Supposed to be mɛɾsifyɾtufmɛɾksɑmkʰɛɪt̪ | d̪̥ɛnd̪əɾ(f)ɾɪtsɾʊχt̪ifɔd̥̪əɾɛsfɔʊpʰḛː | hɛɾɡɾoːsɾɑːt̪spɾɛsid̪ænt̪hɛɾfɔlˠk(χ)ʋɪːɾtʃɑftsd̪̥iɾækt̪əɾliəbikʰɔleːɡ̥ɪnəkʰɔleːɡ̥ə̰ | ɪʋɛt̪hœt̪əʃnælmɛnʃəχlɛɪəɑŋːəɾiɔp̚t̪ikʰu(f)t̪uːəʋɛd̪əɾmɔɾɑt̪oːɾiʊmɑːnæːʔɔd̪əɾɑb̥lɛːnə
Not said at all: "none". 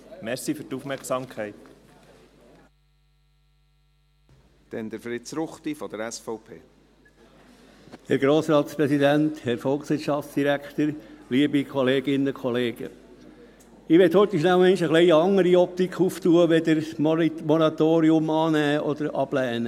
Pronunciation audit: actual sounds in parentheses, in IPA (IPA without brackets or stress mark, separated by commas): f, s, f